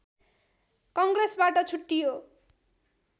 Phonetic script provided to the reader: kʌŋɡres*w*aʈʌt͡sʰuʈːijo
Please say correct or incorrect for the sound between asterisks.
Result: incorrect